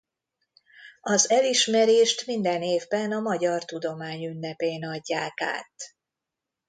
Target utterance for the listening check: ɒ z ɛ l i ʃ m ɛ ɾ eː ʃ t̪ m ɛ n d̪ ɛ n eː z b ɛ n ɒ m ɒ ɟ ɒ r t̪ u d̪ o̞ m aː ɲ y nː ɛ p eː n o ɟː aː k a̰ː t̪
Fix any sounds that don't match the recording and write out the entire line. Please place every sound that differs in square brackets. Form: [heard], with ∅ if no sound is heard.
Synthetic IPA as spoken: ɒ z ɛ l i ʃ m ɛ ɾ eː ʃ t̪ m [i] n d̪ ɛ n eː [v] b ɛ n ɒ m ɒ ɟ ɒ r t̪ u d̪ o̞ m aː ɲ y nː ɛ p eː n [ɒ] ɟː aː k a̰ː t̪